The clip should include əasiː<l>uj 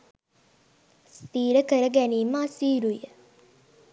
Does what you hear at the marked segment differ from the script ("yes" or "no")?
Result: yes